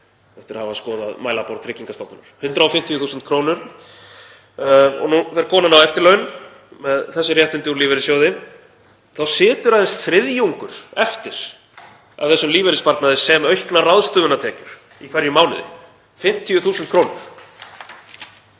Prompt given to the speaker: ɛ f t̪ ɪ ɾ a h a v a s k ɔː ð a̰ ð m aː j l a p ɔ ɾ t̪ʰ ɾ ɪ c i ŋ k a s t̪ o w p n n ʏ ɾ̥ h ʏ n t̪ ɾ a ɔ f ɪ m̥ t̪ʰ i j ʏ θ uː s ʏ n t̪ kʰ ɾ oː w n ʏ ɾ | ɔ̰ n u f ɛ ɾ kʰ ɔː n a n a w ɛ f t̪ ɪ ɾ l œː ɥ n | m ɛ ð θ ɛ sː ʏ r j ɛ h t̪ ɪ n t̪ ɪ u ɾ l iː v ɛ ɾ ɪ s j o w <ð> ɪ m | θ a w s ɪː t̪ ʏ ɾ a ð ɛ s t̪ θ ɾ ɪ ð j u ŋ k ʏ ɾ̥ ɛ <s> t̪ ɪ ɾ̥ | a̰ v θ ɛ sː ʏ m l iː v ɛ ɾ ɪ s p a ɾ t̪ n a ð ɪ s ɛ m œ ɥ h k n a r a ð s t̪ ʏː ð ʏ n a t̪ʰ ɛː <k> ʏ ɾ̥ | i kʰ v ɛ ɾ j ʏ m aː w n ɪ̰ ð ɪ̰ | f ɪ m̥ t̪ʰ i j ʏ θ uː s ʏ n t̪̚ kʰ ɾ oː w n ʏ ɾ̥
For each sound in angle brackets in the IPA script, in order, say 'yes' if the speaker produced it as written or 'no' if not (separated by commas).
yes, no, no